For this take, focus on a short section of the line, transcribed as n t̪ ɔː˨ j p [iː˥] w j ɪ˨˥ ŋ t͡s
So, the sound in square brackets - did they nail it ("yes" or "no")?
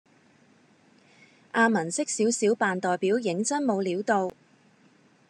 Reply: no